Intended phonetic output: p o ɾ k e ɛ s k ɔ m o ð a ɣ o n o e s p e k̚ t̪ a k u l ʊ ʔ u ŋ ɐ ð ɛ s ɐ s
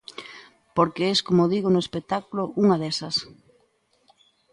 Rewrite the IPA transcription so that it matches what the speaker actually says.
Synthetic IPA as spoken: p o ɾ k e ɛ s k o m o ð i ɣ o n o e s p e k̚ t̪ a k u l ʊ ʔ u ŋ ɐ ð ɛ s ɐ s